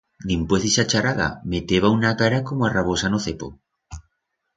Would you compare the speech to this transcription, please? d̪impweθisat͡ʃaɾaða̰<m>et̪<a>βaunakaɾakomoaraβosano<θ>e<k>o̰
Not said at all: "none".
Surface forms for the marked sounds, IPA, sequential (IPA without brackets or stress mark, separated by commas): m, e, θ, p